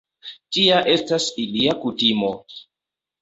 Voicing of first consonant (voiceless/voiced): voiceless